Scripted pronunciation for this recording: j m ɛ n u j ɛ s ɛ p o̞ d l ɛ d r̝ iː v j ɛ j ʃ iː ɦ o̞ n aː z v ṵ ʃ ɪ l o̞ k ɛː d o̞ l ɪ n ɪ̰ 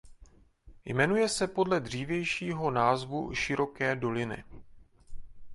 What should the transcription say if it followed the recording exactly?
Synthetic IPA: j m ɛ n u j ɛ s ɛ p o̞ d l ɛ d r̝ iː v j ɛ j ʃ iː ɦ o̞ n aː z v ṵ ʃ ɪ ɾ o̞ k ɛː d o̞ l ɪ n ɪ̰